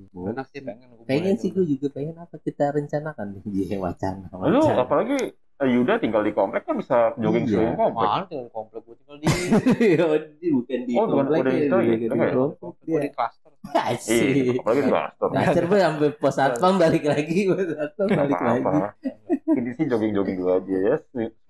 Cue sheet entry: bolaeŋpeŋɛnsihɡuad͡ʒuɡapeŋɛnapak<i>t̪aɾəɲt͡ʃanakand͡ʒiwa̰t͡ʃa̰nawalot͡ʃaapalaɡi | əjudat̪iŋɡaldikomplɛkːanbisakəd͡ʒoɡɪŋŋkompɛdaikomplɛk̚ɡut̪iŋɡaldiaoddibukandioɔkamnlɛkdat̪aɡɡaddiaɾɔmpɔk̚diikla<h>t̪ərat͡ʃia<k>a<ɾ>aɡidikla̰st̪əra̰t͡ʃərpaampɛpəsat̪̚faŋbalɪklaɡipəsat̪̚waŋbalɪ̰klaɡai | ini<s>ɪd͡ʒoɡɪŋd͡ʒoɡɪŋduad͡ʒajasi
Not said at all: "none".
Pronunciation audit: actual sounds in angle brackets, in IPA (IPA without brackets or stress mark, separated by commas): i, s, p, l, s